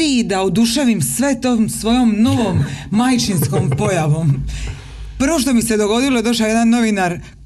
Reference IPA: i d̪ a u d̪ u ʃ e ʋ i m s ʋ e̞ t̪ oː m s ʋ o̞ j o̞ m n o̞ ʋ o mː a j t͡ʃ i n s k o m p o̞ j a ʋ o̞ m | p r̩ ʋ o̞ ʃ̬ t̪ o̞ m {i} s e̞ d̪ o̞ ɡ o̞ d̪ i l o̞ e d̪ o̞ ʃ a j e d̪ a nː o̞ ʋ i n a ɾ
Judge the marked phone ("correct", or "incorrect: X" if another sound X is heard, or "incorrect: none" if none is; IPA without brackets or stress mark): correct